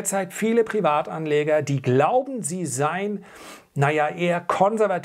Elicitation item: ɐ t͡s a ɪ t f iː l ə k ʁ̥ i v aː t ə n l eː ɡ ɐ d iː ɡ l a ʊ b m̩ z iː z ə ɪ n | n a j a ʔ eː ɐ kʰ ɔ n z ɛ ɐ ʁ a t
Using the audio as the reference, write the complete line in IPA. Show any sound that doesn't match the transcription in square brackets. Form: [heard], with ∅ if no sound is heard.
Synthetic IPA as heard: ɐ t͡s a ɪ t f iː l ə [p] ʁ̥ i v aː t [a] n l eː ɡ ɐ d iː ɡ l a ʊ b m̩ z iː z [a] ɪ n | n a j a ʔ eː ɐ kʰ ɔ n z ɛ ɐ [v] a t